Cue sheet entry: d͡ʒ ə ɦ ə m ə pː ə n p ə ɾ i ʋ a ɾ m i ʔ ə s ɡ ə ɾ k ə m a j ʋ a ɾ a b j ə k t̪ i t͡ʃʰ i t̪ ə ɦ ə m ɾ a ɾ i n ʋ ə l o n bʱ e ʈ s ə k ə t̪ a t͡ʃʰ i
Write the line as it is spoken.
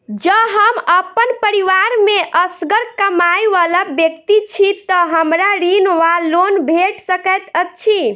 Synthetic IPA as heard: d͡ʒ ə ɦ ə m ə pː ə n p ə ɾ i ʋ a ɾ m e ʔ ə s ɡ ə ɾ k ə m a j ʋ a l a b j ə k t̪ i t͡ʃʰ i t̪ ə ɦ ə m ɾ a ɾ i n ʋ a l o n bʱ e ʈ s ə k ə t̪ ə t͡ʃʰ i